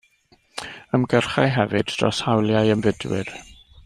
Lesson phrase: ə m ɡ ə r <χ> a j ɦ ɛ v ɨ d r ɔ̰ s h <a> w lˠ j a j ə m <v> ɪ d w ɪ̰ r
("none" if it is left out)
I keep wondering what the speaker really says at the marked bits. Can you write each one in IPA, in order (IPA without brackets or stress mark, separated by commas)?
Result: χ, a, v